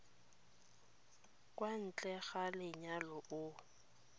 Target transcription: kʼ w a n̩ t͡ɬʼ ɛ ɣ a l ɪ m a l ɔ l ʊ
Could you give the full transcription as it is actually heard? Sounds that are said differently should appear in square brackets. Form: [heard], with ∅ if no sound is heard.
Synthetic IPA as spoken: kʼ w a n̩ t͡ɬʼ ɛ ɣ a l ɪ [ɲ] a l ɔ [∅] ʊ